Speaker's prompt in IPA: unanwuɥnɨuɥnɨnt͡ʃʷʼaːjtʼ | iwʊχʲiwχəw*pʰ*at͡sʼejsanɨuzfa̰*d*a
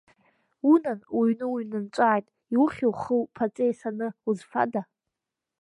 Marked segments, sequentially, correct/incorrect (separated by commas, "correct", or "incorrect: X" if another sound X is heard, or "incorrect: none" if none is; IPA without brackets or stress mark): correct, correct